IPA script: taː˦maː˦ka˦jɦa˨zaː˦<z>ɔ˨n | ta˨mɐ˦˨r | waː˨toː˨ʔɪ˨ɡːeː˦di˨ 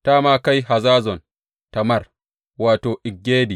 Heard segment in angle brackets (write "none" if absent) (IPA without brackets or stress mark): z